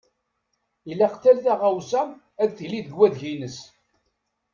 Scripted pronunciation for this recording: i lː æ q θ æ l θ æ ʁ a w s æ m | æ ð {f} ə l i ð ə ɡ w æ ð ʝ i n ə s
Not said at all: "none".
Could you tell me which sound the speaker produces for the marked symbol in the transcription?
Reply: θ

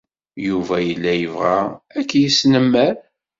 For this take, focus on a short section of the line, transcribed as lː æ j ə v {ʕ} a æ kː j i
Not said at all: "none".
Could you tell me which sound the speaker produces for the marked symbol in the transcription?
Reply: ʁ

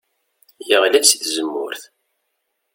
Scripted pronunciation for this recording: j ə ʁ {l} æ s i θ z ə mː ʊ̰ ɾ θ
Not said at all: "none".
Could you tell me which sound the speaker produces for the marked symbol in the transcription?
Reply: l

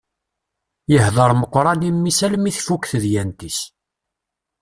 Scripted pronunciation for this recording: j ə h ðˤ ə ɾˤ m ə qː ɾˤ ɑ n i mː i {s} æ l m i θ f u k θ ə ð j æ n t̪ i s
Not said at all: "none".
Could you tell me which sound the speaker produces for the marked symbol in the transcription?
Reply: s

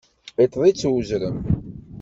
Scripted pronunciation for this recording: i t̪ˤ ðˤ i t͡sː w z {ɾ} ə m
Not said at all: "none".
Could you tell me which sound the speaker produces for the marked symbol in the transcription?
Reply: ɾ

